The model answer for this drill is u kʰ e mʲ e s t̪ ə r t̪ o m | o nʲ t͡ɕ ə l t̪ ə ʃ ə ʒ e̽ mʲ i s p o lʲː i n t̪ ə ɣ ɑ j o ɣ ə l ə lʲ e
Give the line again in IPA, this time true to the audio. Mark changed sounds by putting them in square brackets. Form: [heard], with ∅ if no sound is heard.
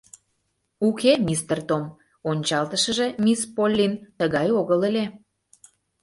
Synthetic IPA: u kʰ e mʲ [i] s t̪ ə r t̪ o m | o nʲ t͡ɕ [ɑ] l t̪ ə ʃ ə ʒ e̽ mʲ i s p o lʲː i n t̪ ə ɣ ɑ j o ɣ ə l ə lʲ e